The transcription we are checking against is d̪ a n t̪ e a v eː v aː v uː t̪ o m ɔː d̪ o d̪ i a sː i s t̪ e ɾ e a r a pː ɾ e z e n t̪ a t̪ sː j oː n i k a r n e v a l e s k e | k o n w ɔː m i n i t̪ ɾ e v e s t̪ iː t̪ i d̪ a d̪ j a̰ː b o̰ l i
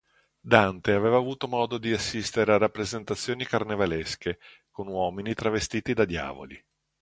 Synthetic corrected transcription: d̪ a n t̪ e a v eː v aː v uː t̪ o m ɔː d̪ o d̪ i a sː i s t̪ e ɾ e a r a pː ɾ e z e n t̪ a t̪ sː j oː n i k a r n e v a l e s k e | k o n w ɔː m i n i t̪ ɾ a v e s t̪ iː t̪ i d̪ a d̪ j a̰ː v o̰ l i